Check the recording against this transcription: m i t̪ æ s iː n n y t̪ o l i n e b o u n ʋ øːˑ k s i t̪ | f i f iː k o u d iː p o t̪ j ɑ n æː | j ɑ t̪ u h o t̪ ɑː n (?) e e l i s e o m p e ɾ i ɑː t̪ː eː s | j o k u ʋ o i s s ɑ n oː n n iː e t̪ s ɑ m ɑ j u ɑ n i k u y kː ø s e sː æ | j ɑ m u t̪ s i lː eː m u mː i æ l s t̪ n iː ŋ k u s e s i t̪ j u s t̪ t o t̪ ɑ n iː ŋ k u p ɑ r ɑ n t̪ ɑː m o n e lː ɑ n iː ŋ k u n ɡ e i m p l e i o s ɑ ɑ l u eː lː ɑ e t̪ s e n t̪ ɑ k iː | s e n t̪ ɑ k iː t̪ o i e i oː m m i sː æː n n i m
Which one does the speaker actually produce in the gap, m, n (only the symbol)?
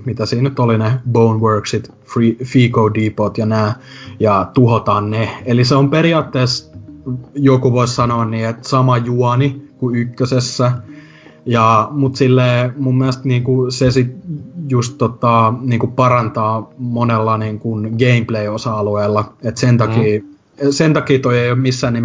n